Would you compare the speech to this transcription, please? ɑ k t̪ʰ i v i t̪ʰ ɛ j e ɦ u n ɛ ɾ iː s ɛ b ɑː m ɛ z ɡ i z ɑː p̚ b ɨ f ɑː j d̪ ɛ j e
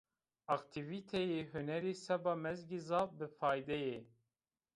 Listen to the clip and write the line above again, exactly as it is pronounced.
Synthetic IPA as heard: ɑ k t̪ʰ i v i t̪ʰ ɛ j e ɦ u n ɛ ɾ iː s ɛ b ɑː m ɛ z ɡ i z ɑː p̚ b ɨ f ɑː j d̪ ɛ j e